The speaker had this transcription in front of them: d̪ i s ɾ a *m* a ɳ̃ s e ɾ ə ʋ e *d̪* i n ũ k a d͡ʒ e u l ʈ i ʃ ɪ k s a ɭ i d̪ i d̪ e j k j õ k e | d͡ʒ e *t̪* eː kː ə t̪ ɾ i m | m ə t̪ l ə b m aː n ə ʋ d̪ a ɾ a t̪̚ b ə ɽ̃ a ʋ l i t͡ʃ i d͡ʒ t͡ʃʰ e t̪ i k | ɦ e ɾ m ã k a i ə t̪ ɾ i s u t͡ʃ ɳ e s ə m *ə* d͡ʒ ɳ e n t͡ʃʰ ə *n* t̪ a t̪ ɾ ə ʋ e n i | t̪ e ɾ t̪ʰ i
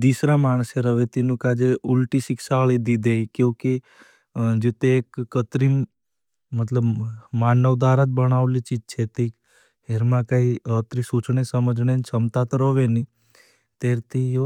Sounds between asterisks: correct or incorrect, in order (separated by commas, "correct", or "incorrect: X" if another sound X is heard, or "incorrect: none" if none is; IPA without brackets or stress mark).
correct, incorrect: t̪, correct, correct, incorrect: m